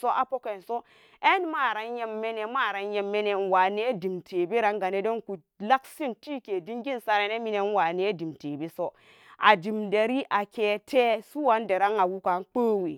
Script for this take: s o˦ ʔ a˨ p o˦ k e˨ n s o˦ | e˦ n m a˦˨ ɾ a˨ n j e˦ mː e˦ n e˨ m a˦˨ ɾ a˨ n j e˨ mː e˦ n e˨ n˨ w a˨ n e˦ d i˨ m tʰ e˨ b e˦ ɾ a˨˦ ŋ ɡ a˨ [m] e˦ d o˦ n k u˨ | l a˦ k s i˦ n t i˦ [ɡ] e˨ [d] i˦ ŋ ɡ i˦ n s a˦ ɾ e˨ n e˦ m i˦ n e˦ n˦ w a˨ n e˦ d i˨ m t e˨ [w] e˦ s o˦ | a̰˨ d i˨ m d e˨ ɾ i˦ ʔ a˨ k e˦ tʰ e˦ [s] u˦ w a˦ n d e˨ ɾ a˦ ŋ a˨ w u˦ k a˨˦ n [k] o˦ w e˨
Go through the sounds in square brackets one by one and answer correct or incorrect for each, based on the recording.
incorrect, incorrect, correct, incorrect, correct, incorrect

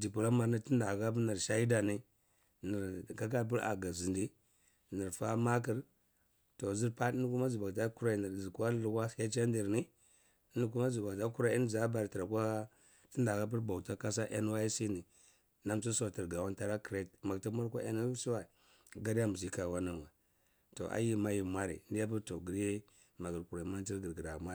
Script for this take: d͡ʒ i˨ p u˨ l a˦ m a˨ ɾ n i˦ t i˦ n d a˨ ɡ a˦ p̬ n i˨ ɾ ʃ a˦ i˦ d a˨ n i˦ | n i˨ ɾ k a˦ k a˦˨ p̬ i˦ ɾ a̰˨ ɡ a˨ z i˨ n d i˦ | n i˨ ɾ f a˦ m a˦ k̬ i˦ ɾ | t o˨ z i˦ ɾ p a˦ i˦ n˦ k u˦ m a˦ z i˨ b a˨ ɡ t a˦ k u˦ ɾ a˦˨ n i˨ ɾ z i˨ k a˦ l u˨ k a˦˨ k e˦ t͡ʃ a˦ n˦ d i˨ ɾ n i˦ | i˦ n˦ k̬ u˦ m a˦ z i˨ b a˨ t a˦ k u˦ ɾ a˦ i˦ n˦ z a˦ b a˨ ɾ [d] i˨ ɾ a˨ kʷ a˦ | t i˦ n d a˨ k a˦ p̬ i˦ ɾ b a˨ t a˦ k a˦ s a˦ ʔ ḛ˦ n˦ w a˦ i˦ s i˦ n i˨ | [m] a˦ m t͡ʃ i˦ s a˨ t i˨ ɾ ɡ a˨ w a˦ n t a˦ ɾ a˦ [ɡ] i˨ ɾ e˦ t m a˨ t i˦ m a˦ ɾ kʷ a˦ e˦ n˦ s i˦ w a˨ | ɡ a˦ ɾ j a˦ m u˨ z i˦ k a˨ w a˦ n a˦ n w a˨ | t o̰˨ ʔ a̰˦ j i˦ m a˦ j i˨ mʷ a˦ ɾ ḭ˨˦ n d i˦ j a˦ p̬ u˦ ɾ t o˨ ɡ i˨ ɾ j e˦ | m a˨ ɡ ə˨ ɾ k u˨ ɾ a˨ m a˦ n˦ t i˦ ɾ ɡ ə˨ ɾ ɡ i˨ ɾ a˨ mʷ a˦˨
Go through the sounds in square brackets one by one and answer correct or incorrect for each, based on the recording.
incorrect, incorrect, incorrect

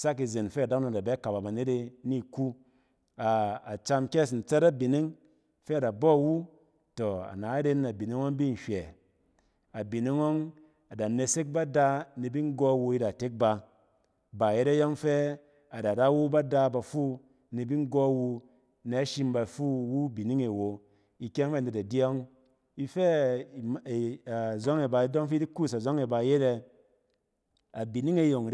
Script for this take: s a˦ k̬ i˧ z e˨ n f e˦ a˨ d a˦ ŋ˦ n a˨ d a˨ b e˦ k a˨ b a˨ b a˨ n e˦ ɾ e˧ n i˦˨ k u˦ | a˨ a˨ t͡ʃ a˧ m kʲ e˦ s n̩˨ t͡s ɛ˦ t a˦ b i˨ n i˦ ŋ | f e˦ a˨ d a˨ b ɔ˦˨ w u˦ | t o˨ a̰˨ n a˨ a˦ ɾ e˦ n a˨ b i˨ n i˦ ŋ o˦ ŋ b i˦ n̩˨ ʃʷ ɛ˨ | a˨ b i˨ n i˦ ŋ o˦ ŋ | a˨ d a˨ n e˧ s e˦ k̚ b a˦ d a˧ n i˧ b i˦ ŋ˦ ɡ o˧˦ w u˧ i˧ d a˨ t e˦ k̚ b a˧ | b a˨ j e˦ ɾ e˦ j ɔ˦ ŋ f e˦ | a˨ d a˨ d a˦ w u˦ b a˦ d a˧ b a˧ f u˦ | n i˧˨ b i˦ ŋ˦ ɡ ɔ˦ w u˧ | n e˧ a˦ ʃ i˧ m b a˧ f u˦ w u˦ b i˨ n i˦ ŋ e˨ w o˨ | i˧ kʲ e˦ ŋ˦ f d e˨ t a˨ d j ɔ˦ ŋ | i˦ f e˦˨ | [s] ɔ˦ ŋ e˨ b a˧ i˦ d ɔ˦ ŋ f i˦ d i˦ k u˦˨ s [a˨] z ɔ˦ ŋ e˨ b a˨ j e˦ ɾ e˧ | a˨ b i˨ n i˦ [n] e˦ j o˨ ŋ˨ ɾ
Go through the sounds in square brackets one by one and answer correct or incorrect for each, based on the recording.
incorrect, correct, incorrect

